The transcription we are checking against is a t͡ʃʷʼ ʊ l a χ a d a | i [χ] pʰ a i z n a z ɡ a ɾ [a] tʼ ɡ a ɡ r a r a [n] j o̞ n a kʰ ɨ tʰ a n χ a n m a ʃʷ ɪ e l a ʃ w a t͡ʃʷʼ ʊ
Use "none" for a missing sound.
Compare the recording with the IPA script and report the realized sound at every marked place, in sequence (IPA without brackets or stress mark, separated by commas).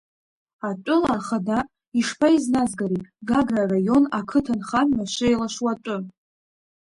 ʂ, i, none